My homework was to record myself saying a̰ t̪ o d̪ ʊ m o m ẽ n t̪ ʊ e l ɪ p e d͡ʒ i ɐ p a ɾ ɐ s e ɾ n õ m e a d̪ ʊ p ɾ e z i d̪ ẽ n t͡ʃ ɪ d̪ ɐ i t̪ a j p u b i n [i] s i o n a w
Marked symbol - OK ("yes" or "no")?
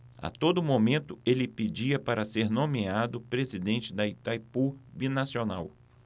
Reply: no